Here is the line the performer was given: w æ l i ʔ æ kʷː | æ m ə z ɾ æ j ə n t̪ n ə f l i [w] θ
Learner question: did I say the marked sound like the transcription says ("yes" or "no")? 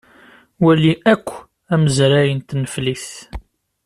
no